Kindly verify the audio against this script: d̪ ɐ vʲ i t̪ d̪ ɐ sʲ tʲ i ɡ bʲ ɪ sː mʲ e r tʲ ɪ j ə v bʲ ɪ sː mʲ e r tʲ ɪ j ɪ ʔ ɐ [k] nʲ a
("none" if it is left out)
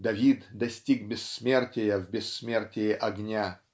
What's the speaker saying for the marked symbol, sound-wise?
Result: ɡ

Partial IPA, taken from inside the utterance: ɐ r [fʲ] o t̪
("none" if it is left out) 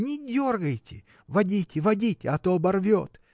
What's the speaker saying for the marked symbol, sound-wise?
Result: vʲ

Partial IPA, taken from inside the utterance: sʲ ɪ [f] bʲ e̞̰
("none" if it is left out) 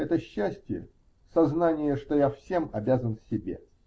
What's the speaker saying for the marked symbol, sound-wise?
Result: none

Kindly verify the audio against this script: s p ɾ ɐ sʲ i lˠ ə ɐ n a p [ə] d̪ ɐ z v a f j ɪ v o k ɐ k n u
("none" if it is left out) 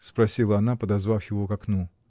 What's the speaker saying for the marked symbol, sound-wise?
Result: ə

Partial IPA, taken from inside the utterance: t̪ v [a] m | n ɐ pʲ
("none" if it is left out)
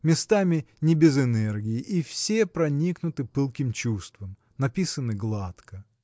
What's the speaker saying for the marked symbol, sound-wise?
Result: ə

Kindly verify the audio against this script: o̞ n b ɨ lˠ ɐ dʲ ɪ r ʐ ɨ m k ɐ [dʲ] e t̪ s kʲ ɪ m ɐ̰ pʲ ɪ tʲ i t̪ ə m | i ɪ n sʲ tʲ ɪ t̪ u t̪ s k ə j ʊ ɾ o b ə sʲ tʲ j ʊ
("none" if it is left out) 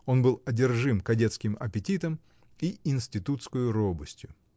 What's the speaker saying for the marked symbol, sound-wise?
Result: dʲ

